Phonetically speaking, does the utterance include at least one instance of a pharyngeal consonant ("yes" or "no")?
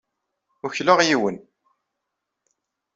no